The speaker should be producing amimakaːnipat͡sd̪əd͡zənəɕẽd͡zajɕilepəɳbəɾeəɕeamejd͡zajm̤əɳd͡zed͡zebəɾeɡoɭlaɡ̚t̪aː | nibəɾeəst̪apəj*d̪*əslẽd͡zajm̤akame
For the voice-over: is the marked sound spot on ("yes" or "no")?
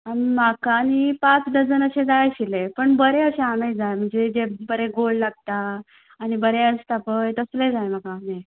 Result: no